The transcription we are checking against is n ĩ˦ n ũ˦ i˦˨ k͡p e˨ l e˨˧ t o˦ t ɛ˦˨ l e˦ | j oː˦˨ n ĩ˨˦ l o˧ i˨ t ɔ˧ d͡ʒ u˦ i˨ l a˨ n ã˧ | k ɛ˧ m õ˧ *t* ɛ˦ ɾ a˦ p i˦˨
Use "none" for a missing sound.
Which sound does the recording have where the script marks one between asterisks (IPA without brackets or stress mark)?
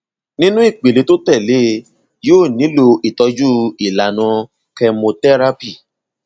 t